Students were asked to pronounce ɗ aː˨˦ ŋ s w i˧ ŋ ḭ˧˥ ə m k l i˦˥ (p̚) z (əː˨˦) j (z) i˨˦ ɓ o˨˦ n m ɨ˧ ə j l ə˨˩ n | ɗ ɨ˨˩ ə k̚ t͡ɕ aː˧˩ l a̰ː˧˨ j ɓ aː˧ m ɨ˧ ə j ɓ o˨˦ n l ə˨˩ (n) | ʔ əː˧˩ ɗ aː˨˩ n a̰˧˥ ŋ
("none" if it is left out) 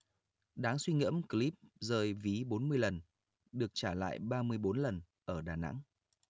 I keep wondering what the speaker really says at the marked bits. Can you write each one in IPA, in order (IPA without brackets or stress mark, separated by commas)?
p̚, əː˨˩, v, n